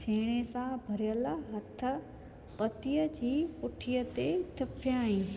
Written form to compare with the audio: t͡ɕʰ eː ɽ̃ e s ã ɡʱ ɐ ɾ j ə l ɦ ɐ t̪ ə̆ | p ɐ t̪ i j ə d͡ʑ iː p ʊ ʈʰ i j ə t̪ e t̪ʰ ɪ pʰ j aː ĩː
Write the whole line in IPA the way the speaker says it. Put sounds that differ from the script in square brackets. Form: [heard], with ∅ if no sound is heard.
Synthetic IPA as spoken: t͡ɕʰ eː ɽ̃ e s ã [bʱ] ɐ ɾ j ə l ɦ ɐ [t̪ʰ] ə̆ | p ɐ t̪ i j ə d͡ʑ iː p ʊ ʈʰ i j ə t̪ e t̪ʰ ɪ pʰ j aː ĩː